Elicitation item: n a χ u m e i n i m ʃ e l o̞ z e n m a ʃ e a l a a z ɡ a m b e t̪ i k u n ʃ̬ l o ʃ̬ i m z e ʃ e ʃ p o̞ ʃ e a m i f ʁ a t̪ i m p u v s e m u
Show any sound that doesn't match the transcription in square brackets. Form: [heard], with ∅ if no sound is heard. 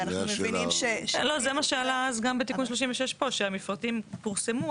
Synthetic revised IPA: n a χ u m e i n i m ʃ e l o̞ z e [∅] m a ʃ e a l a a z ɡ a m b e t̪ i k u n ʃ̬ l o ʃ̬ i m [v] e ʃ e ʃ p o̞ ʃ e a m i f ʁ a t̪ i m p u [ʁ] s e m u